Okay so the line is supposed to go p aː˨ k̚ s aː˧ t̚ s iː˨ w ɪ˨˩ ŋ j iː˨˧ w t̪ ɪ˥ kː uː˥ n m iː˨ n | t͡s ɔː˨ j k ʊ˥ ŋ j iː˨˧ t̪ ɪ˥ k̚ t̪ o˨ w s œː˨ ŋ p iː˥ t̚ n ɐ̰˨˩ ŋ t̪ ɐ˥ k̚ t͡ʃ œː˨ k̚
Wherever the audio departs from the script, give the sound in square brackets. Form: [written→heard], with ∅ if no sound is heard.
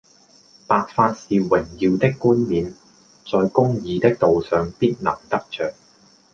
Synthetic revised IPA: p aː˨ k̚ [s→f] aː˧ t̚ s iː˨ w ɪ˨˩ ŋ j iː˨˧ w t̪ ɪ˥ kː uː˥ n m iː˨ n | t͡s ɔː˨ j k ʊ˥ ŋ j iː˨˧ t̪ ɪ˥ k̚ t̪ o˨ w s œː˨ ŋ p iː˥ t̚ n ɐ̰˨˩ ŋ t̪ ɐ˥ k̚ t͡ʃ œː˨ k̚